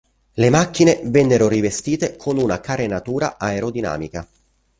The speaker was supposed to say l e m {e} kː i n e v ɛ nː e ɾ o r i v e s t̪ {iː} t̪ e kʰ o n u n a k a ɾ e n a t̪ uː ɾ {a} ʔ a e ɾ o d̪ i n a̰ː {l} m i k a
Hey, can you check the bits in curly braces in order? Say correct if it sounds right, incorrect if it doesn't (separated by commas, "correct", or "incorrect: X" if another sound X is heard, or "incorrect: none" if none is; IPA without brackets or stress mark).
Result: incorrect: a, correct, correct, incorrect: none